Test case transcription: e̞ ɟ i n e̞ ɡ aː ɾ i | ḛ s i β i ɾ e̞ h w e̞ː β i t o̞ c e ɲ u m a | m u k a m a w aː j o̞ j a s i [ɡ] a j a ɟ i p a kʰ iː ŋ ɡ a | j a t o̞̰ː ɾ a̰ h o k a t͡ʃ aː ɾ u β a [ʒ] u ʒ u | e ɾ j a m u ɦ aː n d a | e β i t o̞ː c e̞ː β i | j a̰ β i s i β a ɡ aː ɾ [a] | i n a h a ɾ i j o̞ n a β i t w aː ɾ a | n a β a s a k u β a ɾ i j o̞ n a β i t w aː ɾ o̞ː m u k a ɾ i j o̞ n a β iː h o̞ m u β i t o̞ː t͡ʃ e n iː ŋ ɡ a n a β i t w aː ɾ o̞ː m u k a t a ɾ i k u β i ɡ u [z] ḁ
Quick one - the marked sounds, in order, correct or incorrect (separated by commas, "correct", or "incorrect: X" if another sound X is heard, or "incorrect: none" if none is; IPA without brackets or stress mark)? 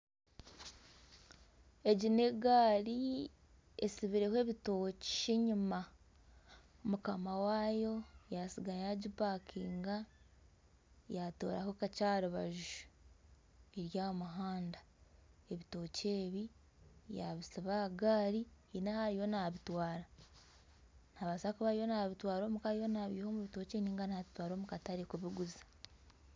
correct, correct, incorrect: i, correct